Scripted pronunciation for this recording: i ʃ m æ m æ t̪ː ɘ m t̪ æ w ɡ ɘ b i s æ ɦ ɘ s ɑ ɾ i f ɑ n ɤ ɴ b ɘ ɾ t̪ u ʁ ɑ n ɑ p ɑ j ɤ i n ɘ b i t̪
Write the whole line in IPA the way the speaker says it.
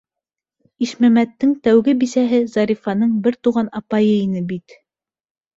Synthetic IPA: i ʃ m æ m æ t̪ː ɘ ŋ t̪ æ w ɡ ɘ b i s æ ɦ ɘ z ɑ ɾ i f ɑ n ɤ ɴ b ɘ ɾ t̪ u ʁ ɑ n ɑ p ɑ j ɤ i n ɘ b i t̪

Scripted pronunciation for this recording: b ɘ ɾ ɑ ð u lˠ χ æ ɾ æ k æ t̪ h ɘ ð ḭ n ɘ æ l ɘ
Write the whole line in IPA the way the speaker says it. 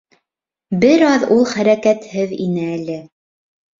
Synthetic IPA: b ɘ ɾ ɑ ð u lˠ χ æ ɾ æ k æ t̪ h ɘ ð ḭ n ɘ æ l ɘ

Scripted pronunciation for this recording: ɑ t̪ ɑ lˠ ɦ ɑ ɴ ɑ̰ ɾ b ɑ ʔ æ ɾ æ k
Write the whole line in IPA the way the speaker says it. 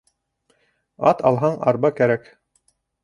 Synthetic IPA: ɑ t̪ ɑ lˠ ɦ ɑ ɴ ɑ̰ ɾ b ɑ k æ ɾ æ k

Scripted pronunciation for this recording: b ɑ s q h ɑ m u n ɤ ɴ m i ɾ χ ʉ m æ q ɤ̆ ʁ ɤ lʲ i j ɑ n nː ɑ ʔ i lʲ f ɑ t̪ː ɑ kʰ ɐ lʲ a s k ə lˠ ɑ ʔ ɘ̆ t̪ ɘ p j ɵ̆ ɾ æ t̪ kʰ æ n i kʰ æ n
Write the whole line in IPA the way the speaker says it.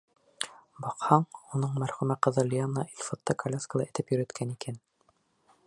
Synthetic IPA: b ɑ q h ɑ ɴ u n ɤ ɴ m æ ɾ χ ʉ m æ q ɤ̆ ð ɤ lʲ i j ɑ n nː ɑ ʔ i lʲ f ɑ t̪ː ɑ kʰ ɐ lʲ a s k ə lˠ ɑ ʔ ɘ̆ t̪ ɘ p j ɵ̆ ɾ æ t̪ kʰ æ n i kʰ æ n

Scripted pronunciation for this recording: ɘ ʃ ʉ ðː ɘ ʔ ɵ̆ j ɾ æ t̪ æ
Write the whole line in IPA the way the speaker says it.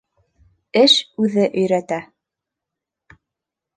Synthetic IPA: ɘ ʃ ʉ ð ɘ ʔ ɵ̆ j ɾ æ t̪ æ

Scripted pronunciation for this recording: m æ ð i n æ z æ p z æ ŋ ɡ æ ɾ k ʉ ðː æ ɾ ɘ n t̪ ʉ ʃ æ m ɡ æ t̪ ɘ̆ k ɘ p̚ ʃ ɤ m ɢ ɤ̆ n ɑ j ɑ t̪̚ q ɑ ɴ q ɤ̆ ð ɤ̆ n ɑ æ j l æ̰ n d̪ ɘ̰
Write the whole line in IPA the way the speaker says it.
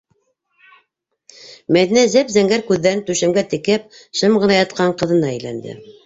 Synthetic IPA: m æ ð i n æ z æ p z æ ŋ ɡ æ ɾ k ʉ ðː æ ɾ ɘ n t̪ ʉ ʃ æ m ɡ æ t̪ ɘ̆ k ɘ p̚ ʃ ɤ m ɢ ɤ̆ n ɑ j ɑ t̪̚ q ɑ ɴ q ɤ̆ ð ɤ̆ n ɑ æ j l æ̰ n d̪ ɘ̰

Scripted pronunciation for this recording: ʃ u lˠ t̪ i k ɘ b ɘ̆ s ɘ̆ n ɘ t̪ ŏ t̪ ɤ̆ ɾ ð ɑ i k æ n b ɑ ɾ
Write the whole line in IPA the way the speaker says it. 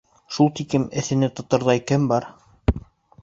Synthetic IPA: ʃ u lˠ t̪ i k ɘ m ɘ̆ θ ɘ̆ n ɘ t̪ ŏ t̪ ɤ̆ ɾ ð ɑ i k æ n b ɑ ɾ

